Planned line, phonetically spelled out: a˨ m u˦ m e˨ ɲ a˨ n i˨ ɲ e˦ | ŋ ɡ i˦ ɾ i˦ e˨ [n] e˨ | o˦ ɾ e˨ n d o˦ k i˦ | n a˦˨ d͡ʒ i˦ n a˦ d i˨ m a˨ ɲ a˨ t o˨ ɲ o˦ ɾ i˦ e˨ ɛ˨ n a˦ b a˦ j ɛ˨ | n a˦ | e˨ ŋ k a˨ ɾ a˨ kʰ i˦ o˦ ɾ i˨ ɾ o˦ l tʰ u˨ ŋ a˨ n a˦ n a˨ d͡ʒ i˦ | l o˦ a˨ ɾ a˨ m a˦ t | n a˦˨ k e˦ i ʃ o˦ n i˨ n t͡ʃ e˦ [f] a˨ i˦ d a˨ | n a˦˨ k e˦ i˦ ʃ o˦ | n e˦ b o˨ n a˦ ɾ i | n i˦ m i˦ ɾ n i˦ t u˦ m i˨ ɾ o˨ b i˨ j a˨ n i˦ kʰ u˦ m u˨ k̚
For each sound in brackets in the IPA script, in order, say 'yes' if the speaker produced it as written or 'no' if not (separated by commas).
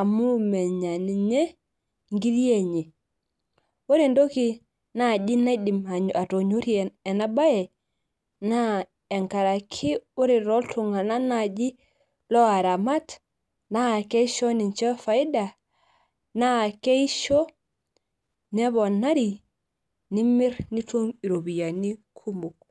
no, yes